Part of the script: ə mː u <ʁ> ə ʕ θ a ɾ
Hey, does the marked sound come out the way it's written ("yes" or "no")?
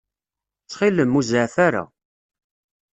no